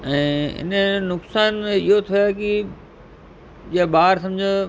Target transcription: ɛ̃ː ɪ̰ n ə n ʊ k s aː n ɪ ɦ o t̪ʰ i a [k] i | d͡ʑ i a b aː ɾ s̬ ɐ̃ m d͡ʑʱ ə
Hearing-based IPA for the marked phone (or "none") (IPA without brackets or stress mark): k